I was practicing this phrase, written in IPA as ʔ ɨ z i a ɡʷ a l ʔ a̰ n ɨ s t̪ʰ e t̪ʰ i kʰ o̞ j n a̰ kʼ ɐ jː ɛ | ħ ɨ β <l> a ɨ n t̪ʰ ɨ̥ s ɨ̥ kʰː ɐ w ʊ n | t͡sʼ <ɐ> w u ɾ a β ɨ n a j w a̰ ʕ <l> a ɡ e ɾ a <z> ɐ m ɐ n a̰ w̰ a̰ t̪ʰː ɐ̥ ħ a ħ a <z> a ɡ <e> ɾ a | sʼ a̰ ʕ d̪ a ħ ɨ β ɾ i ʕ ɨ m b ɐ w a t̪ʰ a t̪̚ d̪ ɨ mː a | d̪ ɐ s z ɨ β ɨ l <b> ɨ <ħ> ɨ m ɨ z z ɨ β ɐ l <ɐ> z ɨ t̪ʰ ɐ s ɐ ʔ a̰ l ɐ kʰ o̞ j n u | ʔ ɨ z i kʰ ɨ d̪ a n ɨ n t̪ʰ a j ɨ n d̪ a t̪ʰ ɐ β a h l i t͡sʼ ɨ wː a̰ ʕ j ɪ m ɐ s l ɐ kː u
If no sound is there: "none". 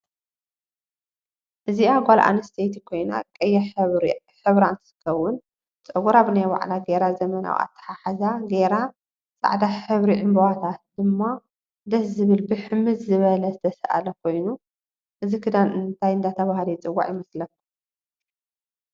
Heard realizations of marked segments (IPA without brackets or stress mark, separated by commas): ɾ, ɐ, l, z, z, e, b, ħ, ɐ